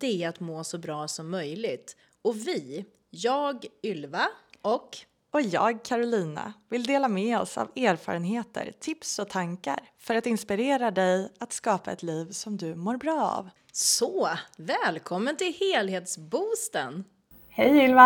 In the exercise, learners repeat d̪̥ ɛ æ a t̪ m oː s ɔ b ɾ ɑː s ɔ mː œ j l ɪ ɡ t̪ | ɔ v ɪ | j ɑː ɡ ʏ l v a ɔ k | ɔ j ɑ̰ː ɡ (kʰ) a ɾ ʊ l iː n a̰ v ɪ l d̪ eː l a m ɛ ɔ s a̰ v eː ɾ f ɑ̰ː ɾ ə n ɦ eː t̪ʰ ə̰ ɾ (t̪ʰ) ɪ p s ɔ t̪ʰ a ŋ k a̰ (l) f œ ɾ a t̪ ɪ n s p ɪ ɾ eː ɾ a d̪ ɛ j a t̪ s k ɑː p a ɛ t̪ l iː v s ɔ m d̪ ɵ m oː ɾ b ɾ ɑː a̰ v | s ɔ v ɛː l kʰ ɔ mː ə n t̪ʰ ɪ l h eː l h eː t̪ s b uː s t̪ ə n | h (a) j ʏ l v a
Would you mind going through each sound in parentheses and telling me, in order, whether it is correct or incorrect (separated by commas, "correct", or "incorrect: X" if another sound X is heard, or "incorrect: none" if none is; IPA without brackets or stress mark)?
correct, correct, incorrect: ɾ, incorrect: ɛ